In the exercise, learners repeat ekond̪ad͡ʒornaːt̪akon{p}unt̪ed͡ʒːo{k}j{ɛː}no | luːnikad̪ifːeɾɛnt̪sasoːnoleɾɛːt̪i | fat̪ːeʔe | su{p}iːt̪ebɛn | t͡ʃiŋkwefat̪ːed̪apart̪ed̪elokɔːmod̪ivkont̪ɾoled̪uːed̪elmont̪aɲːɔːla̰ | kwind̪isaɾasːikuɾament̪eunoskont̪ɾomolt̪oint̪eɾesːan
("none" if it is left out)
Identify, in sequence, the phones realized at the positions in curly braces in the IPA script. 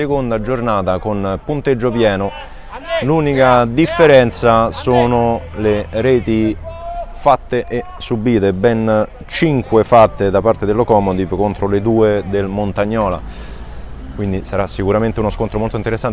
p, p, ɛː, b

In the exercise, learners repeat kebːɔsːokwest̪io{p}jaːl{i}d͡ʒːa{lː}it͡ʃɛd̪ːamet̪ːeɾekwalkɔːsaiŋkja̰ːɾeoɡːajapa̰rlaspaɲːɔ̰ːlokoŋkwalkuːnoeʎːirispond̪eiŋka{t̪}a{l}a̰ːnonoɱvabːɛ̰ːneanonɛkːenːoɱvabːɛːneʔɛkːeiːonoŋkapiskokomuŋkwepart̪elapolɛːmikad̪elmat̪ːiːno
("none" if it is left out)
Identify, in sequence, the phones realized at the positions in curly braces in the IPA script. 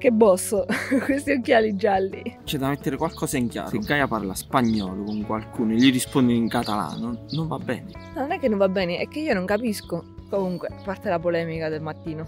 k, i, lː, t̪, l

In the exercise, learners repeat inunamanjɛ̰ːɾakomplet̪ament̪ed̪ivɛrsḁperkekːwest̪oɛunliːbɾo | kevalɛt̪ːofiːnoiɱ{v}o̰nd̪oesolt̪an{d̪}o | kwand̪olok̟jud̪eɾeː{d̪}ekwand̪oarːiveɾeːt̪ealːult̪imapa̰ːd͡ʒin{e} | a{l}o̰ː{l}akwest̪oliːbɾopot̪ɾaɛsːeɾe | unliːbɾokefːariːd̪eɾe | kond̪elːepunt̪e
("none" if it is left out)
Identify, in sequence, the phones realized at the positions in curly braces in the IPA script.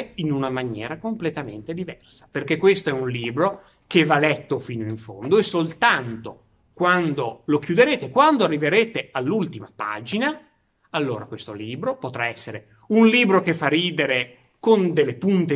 f, t̪, t̪, a, lː, ɾ

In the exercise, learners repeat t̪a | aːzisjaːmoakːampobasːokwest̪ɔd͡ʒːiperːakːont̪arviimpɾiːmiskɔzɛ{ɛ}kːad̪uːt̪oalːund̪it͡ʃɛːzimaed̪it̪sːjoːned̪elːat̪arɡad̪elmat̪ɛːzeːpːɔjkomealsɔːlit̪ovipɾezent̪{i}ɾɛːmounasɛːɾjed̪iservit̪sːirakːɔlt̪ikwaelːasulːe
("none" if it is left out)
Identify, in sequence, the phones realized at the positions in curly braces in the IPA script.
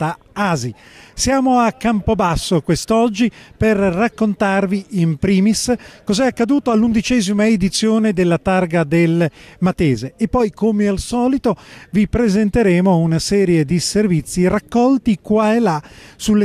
a, e

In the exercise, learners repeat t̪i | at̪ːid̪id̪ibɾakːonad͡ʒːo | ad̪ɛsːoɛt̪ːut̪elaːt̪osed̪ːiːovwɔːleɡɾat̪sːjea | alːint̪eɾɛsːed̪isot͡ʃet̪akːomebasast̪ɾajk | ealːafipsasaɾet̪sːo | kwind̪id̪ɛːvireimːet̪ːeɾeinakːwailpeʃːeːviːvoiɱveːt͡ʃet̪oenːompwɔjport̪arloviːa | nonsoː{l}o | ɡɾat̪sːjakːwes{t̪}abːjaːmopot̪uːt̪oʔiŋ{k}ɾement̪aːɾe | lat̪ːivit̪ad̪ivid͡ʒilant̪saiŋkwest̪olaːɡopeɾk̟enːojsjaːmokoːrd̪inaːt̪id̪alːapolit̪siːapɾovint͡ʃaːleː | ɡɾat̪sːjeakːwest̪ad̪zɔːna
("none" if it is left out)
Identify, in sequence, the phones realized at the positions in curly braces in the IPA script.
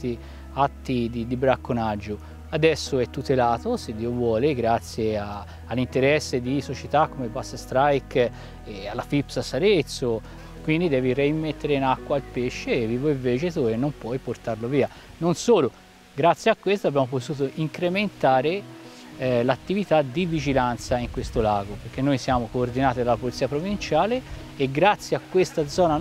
l, t̪, k

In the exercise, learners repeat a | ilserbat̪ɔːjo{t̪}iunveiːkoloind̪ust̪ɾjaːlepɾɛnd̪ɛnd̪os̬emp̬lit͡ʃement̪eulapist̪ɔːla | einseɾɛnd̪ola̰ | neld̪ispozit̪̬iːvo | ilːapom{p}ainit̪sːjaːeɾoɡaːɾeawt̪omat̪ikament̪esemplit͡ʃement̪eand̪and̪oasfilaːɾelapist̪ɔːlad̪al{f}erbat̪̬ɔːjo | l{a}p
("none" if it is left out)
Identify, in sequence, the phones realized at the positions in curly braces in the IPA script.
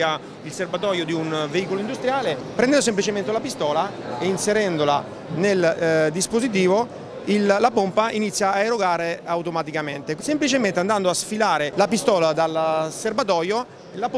d̪, p, s, a

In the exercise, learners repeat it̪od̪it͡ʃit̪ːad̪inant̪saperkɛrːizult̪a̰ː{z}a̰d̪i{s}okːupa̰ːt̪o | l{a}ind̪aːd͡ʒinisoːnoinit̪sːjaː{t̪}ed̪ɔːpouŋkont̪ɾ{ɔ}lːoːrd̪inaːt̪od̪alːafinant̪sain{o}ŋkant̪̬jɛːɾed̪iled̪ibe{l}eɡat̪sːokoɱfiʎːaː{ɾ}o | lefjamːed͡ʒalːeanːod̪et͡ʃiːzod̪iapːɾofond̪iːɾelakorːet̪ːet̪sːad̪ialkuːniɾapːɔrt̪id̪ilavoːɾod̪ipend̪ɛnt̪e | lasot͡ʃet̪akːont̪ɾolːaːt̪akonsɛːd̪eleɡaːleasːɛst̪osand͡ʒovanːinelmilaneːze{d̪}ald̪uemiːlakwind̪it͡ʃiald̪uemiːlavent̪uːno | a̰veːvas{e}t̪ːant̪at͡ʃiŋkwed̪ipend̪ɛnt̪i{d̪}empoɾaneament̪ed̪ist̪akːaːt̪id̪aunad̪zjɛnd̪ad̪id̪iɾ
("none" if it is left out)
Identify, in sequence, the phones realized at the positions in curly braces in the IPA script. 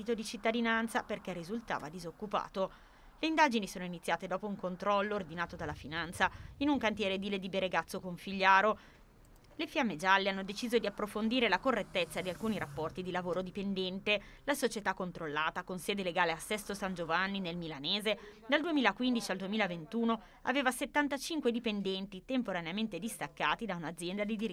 v, z, e, t̪, ɔ, u, ɾ, ɾ, d̪, e, t̪

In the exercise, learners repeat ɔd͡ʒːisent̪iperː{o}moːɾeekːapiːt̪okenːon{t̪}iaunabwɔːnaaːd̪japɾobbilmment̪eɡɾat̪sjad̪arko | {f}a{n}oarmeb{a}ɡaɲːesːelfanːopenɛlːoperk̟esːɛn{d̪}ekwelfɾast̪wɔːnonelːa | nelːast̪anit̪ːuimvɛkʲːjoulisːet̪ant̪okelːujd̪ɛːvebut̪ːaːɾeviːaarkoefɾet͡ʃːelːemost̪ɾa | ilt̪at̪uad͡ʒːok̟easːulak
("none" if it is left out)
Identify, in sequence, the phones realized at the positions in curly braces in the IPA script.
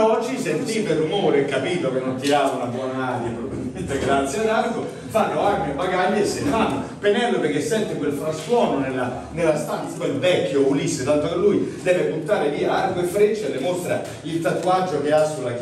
u, t̪, f, nː, a, t̪

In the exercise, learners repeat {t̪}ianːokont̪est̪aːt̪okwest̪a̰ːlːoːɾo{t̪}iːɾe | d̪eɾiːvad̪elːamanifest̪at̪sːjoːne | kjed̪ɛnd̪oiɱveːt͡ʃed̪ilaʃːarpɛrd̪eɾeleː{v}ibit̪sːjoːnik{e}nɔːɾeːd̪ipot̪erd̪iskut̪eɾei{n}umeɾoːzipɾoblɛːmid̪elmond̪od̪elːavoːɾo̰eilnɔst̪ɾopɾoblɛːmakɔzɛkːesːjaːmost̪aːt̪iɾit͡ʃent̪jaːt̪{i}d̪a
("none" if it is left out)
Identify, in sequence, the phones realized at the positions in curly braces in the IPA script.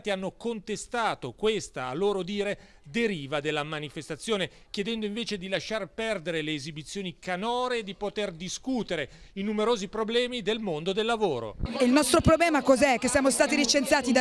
t̪, d̪, z, a, n, i

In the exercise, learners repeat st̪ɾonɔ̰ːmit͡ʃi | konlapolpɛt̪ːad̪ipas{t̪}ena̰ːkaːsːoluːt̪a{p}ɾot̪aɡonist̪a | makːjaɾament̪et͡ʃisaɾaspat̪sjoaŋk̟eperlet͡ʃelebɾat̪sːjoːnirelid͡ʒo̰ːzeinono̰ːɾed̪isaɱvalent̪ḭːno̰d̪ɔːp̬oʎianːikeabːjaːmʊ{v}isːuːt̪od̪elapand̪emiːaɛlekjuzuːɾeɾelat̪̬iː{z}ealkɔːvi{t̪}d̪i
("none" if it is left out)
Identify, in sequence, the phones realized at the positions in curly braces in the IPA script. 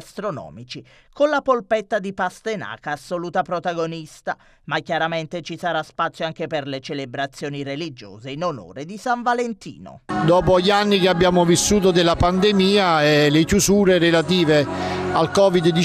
t̪, p, v, v, d̪

